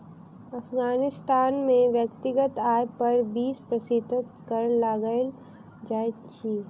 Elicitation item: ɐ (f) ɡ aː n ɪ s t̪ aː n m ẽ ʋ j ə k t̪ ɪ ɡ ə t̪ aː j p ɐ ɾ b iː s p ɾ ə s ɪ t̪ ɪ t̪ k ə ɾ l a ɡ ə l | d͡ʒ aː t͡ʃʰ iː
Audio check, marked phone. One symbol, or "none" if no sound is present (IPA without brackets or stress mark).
f